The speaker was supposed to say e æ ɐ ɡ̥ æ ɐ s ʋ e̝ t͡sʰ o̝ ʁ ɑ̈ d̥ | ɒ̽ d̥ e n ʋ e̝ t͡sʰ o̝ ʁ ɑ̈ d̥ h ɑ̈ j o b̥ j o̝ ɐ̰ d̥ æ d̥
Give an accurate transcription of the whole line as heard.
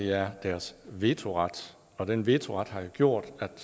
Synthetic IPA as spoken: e æ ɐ d̥ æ ɐ s ʋ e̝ t͡sʰ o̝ ʁ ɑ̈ d̥ | ɒ̽ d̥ e n ʋ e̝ t͡sʰ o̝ ʁ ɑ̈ d̥ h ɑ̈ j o ɡ̥ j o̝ ɐ̰ d̥ æ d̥